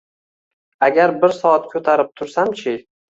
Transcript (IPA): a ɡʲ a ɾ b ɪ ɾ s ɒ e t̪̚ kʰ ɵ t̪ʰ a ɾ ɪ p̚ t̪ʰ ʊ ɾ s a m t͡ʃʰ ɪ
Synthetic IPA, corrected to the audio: a ɡʲ a ɾ b ɪ ɾ s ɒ a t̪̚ kʰ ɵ t̪ʰ a ɾ ɪ p̚ t̪ʰ ʊ ɾ s a m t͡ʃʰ ɪ